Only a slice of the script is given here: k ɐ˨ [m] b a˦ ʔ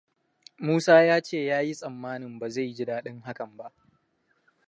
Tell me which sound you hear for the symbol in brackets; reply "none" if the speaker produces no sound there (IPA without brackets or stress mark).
m